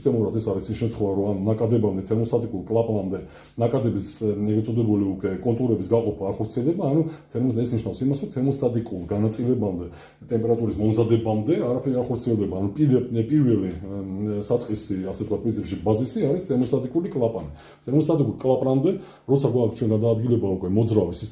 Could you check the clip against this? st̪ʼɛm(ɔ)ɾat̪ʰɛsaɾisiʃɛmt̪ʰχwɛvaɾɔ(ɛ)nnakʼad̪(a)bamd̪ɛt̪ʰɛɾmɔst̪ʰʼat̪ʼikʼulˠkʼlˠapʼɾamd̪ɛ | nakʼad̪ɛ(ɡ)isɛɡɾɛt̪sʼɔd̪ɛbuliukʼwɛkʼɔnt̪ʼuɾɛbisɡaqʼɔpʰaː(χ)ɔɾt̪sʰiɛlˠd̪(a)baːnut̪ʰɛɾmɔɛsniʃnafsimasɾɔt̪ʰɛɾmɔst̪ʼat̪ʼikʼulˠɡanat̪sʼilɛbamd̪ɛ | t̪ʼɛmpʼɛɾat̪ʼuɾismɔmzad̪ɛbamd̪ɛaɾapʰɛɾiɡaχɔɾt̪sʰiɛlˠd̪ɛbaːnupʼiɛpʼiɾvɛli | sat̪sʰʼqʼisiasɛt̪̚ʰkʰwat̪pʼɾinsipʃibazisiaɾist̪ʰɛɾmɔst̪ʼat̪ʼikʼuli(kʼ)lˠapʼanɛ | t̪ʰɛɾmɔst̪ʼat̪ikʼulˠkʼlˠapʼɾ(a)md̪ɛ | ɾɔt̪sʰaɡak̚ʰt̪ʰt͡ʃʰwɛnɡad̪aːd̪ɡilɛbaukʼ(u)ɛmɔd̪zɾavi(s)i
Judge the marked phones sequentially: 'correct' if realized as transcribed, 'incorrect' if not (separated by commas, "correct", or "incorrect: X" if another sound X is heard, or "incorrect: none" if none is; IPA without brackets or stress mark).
incorrect: u, incorrect: a, incorrect: ɛ, incorrect: b, correct, incorrect: ɛ, correct, correct, incorrect: w, correct